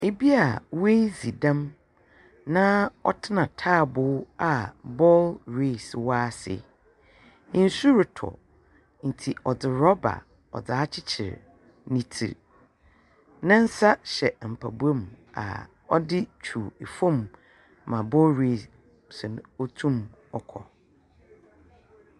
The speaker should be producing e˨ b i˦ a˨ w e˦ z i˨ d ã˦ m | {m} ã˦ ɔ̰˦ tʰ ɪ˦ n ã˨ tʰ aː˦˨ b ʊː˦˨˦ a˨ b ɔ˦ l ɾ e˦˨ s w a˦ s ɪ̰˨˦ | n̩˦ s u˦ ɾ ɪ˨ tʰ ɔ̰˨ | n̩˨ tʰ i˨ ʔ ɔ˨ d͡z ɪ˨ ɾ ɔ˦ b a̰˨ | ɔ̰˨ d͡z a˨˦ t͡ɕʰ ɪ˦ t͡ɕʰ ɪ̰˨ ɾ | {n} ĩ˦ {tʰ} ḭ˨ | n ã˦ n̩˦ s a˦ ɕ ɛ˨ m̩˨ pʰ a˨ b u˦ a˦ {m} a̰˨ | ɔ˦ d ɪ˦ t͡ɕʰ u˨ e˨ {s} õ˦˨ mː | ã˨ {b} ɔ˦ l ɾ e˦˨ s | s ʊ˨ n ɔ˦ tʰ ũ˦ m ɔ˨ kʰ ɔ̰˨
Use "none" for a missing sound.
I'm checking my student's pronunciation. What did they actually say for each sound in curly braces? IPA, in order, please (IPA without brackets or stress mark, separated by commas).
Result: n, n, tʰ, m, f, b